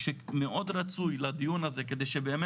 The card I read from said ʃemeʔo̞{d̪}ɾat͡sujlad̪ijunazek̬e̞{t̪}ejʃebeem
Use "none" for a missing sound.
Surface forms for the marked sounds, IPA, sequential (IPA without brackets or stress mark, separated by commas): d̪, d̪